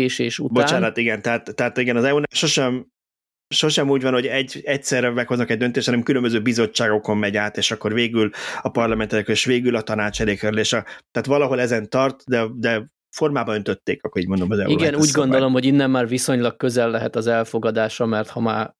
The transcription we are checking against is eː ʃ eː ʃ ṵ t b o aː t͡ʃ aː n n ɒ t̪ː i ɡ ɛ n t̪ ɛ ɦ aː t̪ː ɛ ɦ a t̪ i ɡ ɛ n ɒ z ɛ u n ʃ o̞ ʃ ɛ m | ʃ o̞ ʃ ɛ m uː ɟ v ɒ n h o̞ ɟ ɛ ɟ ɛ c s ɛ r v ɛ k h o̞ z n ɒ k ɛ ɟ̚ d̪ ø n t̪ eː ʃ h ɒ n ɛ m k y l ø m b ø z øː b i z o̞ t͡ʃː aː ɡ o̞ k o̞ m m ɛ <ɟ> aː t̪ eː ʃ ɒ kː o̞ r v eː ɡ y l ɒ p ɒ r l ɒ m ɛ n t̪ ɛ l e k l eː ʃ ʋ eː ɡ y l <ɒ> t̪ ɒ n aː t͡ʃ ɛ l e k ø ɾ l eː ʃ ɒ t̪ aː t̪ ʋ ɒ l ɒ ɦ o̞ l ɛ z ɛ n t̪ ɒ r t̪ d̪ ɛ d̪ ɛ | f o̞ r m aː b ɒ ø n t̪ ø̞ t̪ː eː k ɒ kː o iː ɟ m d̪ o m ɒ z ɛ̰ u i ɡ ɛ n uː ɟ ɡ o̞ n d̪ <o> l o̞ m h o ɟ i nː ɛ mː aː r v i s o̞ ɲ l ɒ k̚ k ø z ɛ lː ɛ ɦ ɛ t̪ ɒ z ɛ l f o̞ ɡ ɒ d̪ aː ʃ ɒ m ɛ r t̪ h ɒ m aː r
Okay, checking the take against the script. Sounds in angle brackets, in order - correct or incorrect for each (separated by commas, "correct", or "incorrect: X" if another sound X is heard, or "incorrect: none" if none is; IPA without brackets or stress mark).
correct, correct, correct